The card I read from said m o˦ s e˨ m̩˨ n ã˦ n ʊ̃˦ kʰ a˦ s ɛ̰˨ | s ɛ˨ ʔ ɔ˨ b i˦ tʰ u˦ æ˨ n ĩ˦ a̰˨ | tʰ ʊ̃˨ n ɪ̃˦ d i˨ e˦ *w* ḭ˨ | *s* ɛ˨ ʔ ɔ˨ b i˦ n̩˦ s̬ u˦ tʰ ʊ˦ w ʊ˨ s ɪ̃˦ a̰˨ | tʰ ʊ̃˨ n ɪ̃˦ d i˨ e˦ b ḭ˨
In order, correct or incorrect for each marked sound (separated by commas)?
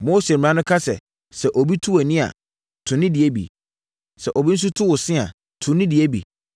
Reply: incorrect, correct